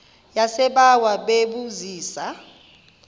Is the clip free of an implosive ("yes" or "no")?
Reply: no